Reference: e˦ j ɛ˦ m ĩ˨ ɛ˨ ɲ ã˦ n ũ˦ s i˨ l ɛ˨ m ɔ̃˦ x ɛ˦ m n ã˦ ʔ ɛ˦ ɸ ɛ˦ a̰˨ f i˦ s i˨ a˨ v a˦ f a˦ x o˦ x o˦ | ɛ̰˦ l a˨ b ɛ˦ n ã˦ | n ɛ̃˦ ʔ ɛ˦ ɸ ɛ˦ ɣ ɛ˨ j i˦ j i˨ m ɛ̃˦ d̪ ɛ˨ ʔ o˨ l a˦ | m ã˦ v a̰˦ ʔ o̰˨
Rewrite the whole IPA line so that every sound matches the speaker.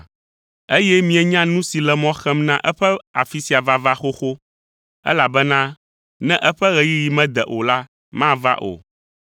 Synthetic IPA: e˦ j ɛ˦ m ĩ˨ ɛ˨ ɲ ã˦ n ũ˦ s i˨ l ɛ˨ m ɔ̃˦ x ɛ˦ m n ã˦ ʔ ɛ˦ ɸ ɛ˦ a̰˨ f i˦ s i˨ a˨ v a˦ v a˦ x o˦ x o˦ | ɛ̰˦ l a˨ b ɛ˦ n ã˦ | n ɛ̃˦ ʔ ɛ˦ ɸ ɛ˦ ɣ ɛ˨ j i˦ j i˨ m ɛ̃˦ d̪ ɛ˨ ʔ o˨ l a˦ | m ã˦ v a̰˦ ʔ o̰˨